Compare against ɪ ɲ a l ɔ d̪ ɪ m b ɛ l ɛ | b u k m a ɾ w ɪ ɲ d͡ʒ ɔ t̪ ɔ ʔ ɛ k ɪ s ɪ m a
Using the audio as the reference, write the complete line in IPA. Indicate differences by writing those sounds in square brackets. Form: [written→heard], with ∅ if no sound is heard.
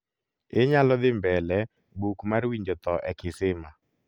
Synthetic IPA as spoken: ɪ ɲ a l ɔ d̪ ɪ m b ɛ l ɛ | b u k m a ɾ w [ɪ→i] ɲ d͡ʒ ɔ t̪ ɔ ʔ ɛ k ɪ s ɪ m a

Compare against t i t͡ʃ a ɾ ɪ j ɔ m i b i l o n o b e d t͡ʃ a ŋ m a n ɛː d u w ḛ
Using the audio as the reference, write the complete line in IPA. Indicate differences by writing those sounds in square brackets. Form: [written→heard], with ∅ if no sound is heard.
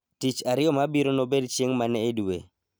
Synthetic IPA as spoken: t i t͡ʃ a ɾ ɪ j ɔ m [i→a] b i [l→ɾ] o n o b e d t͡ʃ [a→e] ŋ m a n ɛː d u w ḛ

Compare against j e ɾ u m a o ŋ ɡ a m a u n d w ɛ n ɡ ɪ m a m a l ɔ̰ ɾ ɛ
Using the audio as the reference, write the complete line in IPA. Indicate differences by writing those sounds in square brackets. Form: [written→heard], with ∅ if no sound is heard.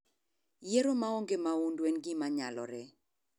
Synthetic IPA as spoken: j e ɾ [u→o] m a o ŋ ɡ [a→e] m a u n d w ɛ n ɡ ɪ m a [m→ɲ] a l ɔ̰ ɾ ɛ

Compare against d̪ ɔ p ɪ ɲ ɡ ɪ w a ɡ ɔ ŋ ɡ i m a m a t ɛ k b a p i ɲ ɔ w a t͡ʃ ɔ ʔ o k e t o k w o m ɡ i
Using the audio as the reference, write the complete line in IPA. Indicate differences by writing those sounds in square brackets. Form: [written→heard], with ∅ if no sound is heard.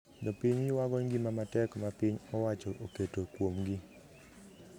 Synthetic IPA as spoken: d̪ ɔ p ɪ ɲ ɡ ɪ w a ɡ ɔ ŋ ɡ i m a m a t ɛ k [b→m] a p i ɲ ɔ w a t͡ʃ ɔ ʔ o k e t o k w o m ɡ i

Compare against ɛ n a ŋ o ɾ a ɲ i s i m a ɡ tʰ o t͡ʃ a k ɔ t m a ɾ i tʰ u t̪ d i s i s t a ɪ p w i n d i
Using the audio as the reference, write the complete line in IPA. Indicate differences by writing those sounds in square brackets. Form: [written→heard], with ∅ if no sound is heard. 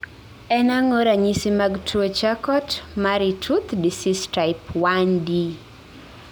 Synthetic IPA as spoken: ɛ n a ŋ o ɾ a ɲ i s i m a ɡ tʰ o t͡ʃ a k ɔ t m a ɾ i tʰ u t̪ d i s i s t a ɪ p w [i→a] n d i

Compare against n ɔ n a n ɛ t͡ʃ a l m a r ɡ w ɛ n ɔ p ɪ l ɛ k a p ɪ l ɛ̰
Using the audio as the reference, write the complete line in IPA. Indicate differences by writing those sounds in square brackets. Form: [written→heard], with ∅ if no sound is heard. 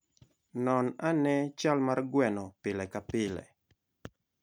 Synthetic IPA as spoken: n ɔ n a n ɛ t͡ʃ a l m a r ɡ w ɛ n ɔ p ɪ l ɛ k a p ɪ l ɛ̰

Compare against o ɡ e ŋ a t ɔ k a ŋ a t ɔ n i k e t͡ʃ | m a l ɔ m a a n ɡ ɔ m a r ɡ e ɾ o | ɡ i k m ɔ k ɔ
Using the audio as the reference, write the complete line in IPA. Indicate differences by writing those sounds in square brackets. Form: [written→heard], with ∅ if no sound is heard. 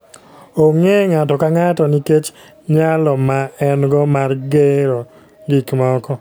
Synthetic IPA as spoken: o [ɡ→ŋ] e ŋ a t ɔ k a ŋ a t ɔ n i k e t͡ʃ | [m→ɲ] a l ɔ m a [a→ɛ] n ɡ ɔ m a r ɡ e ɾ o | ɡ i k m ɔ k ɔ

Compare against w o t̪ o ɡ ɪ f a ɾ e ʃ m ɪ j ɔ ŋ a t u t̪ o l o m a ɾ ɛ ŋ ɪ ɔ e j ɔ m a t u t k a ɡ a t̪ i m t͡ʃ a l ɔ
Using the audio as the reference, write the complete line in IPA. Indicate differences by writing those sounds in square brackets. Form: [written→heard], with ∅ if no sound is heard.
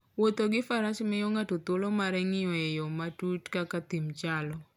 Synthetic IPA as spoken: w o t̪ o ɡ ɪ f a ɾ [e→a] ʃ m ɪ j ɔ ŋ a t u t̪ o l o m a ɾ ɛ ŋ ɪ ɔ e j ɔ m a t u t k a [ɡ→k] a t̪ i m t͡ʃ a l ɔ

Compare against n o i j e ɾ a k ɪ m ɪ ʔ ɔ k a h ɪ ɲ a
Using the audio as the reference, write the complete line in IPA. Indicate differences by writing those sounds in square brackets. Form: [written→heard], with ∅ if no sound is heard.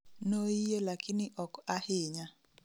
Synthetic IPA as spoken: n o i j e [ɾ→l] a k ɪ [m→n] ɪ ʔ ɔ k a h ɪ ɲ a

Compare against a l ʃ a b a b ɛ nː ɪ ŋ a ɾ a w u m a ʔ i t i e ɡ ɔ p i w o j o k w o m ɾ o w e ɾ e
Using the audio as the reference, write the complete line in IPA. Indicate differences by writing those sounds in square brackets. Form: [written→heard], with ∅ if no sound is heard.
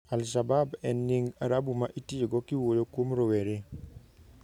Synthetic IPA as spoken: a l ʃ a b a b ɛ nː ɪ ŋ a ɾ a [w→b] u m a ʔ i t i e ɡ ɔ [p→k] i w o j o k w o m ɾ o w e ɾ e

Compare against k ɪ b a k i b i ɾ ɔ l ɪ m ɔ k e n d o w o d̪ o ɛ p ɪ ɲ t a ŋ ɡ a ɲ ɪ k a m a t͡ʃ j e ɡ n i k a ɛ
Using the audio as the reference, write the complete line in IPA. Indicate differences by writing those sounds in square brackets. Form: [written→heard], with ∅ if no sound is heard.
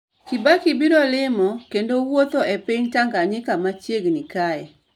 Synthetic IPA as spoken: k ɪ b a k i b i ɾ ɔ l ɪ m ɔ k e n d o w o [d̪→t̪] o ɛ p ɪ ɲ t a ŋ ɡ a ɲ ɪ k a m a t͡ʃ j e ɡ n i k a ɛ

